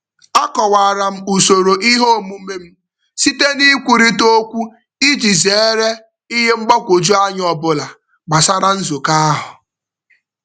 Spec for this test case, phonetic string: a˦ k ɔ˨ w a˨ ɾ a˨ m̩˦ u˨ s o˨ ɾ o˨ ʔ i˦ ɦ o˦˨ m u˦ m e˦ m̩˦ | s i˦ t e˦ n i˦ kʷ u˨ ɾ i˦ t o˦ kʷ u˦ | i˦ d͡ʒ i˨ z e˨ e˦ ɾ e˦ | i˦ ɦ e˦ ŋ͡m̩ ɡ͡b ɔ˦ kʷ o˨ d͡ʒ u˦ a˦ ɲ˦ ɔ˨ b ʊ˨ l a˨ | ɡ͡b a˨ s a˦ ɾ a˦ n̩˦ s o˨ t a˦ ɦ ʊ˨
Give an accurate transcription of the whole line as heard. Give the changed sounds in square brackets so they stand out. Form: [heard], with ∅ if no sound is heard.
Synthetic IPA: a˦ k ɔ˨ w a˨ ɾ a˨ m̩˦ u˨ s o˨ ɾ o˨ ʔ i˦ ɦ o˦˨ m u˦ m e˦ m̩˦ | s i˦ t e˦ n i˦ kʷ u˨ ɾ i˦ t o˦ kʷ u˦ | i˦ d͡ʒ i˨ z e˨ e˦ ɾ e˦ | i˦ ɦ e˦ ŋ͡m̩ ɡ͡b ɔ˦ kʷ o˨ d͡ʒ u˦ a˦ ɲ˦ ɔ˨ b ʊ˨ l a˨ | ɡ͡b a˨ s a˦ ɾ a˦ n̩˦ [z] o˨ [k] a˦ ɦ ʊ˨